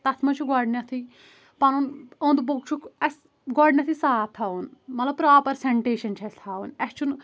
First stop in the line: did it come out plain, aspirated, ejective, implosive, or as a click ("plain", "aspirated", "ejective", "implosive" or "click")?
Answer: plain